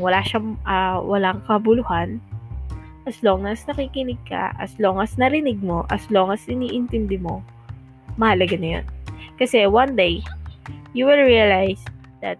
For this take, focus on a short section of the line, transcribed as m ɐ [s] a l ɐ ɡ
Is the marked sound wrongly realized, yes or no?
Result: yes